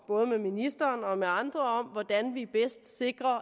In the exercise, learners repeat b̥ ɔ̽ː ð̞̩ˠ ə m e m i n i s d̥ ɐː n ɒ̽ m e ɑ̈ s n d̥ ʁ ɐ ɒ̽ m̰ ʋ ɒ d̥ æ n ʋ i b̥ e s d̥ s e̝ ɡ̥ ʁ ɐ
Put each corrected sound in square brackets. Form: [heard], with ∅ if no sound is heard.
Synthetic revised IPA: b̥ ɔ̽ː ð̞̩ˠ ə m e m i n i s d̥ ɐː n ɒ̽ m e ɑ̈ [∅] n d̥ ʁ ɐ ɒ̽ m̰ ʋ ɒ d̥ æ n ʋ i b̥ e s d̥ s e̝ ɡ̥ ʁ ɐ